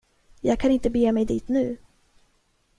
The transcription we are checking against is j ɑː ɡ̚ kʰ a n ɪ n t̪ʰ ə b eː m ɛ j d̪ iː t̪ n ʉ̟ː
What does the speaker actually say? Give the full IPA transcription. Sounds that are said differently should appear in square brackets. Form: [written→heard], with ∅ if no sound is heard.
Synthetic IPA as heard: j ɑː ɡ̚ kʰ a n ɪ n [t̪ʰ→t̪] ə b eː m ɛ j d̪ iː t̪ n ʉ̟ː